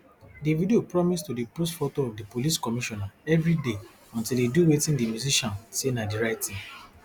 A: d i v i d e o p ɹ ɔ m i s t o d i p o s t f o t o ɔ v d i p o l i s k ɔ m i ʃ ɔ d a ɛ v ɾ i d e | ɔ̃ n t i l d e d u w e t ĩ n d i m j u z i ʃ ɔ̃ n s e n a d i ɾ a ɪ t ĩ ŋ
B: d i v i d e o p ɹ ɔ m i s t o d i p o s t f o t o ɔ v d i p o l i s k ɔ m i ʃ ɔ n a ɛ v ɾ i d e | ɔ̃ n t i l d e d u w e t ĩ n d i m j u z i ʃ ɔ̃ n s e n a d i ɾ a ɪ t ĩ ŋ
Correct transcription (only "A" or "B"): B